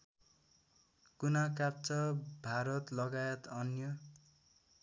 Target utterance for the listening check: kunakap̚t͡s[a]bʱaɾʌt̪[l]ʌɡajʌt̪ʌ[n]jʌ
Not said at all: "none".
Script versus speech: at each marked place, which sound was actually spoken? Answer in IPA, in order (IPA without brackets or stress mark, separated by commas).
ʌ, l, n